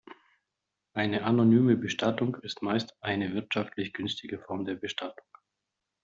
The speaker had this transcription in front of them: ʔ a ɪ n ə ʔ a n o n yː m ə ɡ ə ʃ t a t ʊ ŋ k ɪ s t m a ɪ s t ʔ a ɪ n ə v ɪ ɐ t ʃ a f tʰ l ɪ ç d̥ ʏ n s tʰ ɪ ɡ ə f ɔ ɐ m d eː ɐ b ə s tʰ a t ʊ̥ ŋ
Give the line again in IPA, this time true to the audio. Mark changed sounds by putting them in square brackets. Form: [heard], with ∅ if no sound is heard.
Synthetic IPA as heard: ʔ a ɪ n ə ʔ a n o n yː m ə [b] ə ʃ t a t ʊ ŋ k ɪ s t m a ɪ s t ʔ a ɪ n ə v ɪ ɐ t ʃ a f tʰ l ɪ ç [ɡ̥] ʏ n s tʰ ɪ ɡ ə f ɔ ɐ m d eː ɐ b ə [ʃ] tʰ a t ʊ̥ ŋ